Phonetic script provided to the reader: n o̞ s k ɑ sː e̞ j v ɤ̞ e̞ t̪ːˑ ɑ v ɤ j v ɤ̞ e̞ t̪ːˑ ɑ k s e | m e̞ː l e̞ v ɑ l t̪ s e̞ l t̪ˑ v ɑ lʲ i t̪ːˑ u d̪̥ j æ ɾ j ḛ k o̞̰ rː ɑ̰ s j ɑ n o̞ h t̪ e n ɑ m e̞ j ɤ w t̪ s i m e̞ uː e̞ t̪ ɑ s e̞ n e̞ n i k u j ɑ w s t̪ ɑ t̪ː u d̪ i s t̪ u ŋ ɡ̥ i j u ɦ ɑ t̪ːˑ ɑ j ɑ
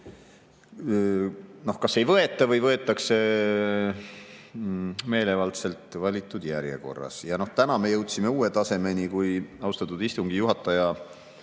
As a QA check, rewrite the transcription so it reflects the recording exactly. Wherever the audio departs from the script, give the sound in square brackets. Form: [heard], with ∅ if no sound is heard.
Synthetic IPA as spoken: n o̞ [h] k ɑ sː e̞ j v ɤ̞ e̞ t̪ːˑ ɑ v ɤ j v ɤ̞ e̞ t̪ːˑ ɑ k s e | m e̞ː l e̞ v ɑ l t̪ s e̞ l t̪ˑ v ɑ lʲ i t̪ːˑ u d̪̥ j æ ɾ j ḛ k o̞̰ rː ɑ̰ s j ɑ n o̞ h t̪ [æ] n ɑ m e̞ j ɤ w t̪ s i m e̞ uː e̞ t̪ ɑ s e̞ [m] e̞ n i k u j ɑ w s t̪ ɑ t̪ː u d̪ i s t̪ u ŋ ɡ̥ i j u ɦ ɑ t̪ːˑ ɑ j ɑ